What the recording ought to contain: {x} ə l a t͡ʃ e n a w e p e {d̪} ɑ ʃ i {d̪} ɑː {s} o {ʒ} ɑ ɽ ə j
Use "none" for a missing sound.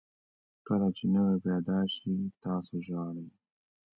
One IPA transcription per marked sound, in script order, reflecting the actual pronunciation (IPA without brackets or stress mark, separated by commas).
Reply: k, d̪, t̪, s, ʒ